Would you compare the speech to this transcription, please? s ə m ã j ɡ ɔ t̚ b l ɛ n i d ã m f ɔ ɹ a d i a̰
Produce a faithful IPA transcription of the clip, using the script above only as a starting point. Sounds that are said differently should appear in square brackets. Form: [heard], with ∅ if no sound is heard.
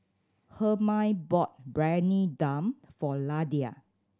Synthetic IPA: [h] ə m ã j [b] ɔ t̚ b [ɹ] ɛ n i d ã m f ɔ [l] a d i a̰